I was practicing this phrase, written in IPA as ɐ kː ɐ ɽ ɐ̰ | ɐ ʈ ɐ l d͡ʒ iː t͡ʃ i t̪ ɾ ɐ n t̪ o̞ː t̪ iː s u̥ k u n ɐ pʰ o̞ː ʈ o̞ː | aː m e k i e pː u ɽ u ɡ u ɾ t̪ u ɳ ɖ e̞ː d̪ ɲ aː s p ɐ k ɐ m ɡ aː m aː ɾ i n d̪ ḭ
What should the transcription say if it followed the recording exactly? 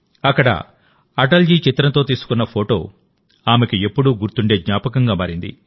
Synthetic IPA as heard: ɐ kː ɐ ɽ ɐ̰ | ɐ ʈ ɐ l d͡ʒ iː t͡ʃ i t̪ ɾ ɐ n t̪ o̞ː t̪ iː s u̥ k u nː ɐ pʰ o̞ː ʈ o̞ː | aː m e k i e pː u ɽ u ɡ u ɾ t̪ u ɳ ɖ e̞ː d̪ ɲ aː p ɐ k ɐ ŋ ɡ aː m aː ɾ i n d̪ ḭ

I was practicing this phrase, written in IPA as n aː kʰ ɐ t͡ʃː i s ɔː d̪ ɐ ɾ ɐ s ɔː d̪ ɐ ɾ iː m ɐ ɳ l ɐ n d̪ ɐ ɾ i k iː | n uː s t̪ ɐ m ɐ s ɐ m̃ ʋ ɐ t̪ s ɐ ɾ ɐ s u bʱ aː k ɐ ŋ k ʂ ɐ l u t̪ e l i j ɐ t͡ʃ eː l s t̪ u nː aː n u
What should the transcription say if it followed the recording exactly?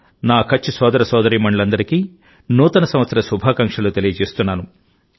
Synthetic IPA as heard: n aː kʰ ɐ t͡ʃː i s ɔː d̪ ɐ ɾ ɐ s ɔː d̪ ɐ ɾ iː m ɐ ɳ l ɐ n d̪ ɐ ɾ i k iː | n uː t̪ ɐ n ɐ s ɐ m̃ ʋ ɐ t̪ s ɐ ɾ ɐ s u bʱ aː k ɐ ŋ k ʂ ɐ l u t̪ e l i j ɐ t͡ʃ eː s t̪ u nː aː n u

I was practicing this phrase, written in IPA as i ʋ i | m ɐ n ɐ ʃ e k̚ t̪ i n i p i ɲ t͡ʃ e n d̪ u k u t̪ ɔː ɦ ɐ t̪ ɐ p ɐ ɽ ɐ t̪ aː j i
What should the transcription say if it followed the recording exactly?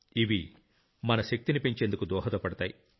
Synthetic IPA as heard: i ʋ i | m ɐ n ɐ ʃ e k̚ t̪ i n i p i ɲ t͡ʃ e n d̪ u k u d̪ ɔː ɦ ɐ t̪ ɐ p ɐ ɽ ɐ t̪ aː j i

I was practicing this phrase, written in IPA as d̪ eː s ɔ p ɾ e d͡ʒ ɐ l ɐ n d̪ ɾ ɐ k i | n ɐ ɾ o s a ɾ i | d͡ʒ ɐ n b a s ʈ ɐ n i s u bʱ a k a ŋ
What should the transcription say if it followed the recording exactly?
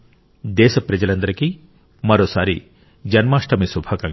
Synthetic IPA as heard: d̪ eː s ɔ p ɾ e d͡ʒ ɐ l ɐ n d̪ ɾ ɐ k i | m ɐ ɾ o s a ɾ i | d͡ʒ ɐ n m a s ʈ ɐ m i s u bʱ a k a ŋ

